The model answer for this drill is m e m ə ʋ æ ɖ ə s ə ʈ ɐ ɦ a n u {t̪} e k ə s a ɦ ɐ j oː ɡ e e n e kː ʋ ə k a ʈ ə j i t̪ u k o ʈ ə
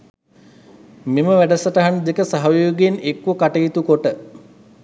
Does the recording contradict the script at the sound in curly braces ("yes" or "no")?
yes